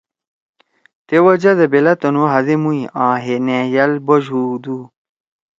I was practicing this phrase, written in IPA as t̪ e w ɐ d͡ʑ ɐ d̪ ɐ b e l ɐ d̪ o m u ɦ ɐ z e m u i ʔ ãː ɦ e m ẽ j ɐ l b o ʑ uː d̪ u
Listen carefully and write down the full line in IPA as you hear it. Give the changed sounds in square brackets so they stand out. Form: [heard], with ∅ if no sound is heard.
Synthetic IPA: t̪ e w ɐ d͡ʑ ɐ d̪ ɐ b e l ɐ [t̪] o [n] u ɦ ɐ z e m u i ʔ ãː ɦ e [n] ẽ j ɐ l b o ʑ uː d̪ u